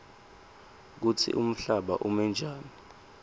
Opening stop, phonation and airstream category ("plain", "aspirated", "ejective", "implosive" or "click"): plain